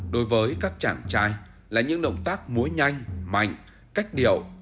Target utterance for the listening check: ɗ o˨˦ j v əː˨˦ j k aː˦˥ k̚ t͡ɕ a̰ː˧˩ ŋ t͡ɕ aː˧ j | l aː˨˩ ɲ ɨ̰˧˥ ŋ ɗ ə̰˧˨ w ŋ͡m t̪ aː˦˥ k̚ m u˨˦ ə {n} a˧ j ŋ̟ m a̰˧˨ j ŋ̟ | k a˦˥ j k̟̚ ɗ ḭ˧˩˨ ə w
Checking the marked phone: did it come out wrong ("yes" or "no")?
yes